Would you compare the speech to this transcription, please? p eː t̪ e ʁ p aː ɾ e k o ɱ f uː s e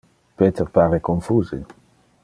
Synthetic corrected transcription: p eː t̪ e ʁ p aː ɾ e k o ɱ f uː z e